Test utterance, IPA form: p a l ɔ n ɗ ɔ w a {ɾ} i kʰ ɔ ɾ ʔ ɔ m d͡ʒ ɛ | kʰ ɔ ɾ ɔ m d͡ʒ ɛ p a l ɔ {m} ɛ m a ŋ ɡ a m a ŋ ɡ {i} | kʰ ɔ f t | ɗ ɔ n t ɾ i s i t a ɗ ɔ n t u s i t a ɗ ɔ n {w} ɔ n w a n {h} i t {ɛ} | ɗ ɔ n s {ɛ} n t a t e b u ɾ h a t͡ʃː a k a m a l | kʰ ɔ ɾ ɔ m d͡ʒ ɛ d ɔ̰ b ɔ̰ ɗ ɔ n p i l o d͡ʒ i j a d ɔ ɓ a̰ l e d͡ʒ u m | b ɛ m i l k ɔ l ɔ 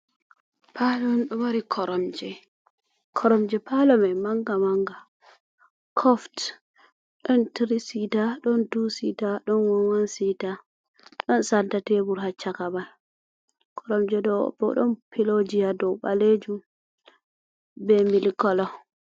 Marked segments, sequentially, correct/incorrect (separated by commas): correct, correct, incorrect, correct, incorrect, incorrect, incorrect